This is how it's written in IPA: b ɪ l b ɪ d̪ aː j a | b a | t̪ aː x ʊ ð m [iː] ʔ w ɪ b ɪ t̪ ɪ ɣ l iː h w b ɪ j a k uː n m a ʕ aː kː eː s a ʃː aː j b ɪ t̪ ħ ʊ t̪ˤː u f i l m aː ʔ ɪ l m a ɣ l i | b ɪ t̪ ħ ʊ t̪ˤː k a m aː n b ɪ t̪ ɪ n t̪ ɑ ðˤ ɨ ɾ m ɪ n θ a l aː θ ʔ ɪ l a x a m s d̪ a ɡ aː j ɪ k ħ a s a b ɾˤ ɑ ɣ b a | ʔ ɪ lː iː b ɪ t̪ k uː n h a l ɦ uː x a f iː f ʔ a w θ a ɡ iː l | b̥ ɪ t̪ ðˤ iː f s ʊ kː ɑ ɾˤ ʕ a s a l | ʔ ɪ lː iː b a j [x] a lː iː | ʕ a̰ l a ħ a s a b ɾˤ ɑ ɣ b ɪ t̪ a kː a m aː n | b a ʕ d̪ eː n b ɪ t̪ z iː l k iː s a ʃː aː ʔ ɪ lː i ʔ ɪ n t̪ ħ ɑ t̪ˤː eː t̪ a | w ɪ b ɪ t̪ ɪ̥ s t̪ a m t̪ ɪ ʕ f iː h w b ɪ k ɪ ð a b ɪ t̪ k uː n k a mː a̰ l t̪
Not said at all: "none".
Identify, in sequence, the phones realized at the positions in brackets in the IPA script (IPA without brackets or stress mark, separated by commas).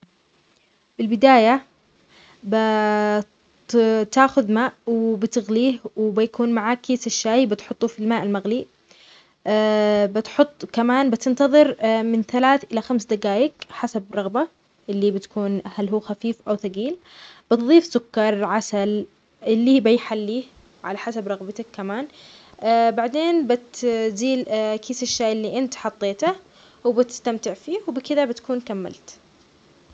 aː, ħ